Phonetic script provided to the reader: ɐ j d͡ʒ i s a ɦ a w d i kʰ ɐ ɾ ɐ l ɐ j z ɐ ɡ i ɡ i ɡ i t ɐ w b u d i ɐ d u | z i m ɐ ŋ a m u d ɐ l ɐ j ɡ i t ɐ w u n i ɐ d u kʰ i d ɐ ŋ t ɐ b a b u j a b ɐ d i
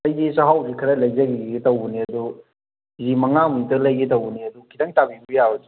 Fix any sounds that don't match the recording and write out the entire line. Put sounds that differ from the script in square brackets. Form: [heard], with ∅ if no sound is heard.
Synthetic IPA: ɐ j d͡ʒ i s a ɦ a w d i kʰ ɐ ɾ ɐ l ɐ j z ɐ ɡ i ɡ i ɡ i t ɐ w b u [n] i ɐ d u | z i m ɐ ŋ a m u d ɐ l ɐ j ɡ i t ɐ w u n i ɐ d u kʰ i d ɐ ŋ t [a] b [i] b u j a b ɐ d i